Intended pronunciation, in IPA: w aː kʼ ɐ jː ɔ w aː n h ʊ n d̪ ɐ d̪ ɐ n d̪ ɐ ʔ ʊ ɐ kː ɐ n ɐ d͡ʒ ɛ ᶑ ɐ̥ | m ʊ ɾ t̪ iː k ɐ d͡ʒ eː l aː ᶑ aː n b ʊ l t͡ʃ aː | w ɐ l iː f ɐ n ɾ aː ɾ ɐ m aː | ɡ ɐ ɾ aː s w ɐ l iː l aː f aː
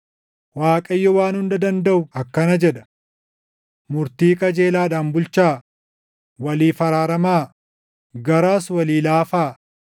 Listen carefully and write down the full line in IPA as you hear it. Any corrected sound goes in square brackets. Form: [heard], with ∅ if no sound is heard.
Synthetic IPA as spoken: w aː kʼ ɐ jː ɔ w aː n h ʊ n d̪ ɐ d̪ ɐ n d̪ ɐ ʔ ʊ ɐ kː ɐ n ɐ d͡ʒ ɛ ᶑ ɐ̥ | m ʊ ɾ t̪ iː [kʼ] ɐ d͡ʒ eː l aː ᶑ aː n b ʊ l t͡ʃ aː | w ɐ l iː f ɐ [∅] ɾ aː ɾ ɐ m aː | ɡ ɐ ɾ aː s w ɐ l iː l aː f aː

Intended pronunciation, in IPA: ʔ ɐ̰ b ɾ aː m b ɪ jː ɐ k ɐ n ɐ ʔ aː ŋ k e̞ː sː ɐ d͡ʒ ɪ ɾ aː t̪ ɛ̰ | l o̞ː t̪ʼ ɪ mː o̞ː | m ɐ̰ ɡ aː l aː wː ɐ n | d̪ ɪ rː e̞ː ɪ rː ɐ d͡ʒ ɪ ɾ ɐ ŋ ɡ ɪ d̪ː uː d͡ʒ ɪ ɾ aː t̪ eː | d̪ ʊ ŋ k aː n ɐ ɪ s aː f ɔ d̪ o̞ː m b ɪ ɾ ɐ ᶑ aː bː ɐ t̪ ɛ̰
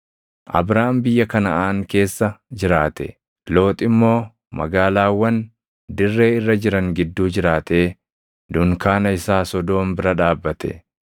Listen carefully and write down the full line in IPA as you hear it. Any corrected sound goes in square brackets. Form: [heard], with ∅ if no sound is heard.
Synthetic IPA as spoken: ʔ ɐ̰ b ɾ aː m b ɪ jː ɐ k ɐ n ɐ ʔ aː ŋ k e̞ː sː ɐ d͡ʒ ɪ ɾ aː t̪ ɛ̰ | l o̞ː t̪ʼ ɪ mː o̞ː | m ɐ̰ ɡ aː l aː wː ɐ n | d̪ ɪ rː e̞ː ɪ rː ɐ d͡ʒ ɪ ɾ ɐ ŋ ɡ ɪ d̪ː uː d͡ʒ ɪ ɾ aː t̪ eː | d̪ ʊ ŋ k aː n ɐ ɪ s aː [s] ɔ d̪ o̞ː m b ɪ ɾ ɐ ᶑ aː bː ɐ t̪ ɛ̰

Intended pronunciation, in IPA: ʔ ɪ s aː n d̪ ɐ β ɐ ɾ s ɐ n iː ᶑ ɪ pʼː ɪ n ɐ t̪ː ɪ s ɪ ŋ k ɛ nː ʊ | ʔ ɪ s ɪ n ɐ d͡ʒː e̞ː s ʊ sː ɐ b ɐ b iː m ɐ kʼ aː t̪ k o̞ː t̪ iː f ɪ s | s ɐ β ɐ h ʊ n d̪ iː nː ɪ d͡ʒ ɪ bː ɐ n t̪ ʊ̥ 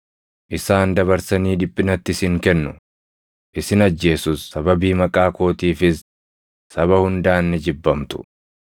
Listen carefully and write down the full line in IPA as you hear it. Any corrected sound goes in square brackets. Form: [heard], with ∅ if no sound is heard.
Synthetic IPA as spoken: ʔ ɪ s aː n d̪ ɐ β ɐ ɾ s ɐ n iː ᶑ ɪ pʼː ɪ n ɐ t̪ː ɪ s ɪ ŋ k ɛ nː ʊ | ʔ ɪ s ɪ n ɐ d͡ʒː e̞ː s ʊ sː ɐ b ɐ b iː m ɐ kʼ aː [∅] k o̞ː t̪ iː f ɪ s | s ɐ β ɐ h ʊ n d̪ [aː] nː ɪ d͡ʒ ɪ bː ɐ [m] t̪ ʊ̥

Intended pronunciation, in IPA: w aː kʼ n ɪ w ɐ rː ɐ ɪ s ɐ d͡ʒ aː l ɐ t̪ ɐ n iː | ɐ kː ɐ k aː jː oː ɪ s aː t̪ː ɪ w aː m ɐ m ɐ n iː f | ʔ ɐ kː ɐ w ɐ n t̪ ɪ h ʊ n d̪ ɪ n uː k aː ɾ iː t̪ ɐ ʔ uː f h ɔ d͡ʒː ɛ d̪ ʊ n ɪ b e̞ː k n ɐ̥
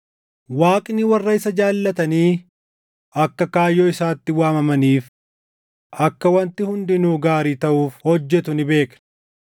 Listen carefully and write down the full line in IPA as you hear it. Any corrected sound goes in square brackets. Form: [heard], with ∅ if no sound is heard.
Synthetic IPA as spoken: w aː kʼ n ɪ w ɐ rː ɐ ɪ s ɐ d͡ʒ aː [lː] ɐ t̪ ɐ n iː | ɐ kː ɐ k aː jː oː ɪ s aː t̪ː ɪ w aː m ɐ m ɐ n iː f | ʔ ɐ kː ɐ w ɐ n t̪ ɪ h ʊ n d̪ ɪ n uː [ɡ] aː ɾ iː t̪ ɐ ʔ uː f h ɔ d͡ʒː ɛ [t̪] ʊ n ɪ b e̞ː k n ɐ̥

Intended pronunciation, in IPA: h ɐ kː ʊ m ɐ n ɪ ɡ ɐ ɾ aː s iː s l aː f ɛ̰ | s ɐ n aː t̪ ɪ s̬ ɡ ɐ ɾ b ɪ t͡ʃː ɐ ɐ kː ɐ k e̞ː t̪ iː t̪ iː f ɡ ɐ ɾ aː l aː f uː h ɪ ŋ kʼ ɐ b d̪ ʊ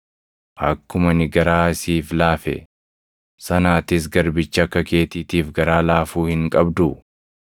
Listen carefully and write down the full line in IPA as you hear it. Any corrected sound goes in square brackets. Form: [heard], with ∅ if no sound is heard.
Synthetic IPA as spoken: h ɐ kː ʊ m ɐ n ɪ ɡ ɐ ɾ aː s iː [f] l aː f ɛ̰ | s ɐ n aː t̪ ɪ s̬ ɡ ɐ ɾ b ɪ t͡ʃː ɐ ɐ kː ɐ k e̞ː t̪ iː t̪ iː f ɡ ɐ ɾ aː l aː f uː h ɪ ŋ kʼ ɐ b d̪ ʊ

